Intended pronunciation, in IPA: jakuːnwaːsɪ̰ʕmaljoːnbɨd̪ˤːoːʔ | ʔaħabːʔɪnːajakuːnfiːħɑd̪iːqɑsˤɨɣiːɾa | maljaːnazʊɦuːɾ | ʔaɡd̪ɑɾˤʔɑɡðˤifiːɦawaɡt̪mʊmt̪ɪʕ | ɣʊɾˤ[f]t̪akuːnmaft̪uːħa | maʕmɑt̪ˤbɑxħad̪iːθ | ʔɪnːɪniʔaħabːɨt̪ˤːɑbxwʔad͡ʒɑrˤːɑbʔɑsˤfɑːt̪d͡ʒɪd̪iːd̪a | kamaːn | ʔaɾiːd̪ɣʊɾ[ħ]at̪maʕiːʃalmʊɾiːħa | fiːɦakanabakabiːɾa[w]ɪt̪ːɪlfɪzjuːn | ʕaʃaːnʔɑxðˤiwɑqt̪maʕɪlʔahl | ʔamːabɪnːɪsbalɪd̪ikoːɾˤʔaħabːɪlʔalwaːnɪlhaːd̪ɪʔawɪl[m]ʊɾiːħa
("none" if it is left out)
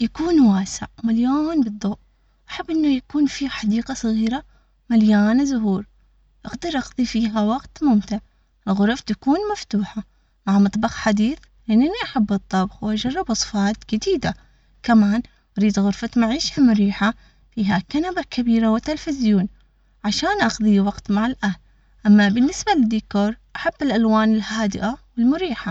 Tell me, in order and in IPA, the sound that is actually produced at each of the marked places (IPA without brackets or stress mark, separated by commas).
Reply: f, f, w, m